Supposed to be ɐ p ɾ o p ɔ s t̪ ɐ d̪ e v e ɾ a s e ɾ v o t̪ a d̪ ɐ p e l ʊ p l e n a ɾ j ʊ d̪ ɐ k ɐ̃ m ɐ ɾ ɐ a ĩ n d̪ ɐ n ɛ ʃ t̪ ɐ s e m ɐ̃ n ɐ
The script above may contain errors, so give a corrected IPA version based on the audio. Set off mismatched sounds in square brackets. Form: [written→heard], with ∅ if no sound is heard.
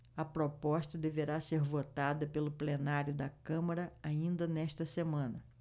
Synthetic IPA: ɐ p ɾ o p ɔ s t̪ ɐ d̪ e v e ɾ a s e ɾ v o t̪ a d̪ ɐ p e l ʊ p l e n a ɾ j ʊ d̪ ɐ k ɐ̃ m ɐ ɾ ɐ a ĩ n d̪ ɐ n ɛ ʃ t̪ ɐ s e m ɐ̃ n ɐ